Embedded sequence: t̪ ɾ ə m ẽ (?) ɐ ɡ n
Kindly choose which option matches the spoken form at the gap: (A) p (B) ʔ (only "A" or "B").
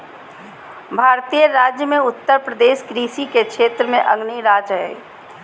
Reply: B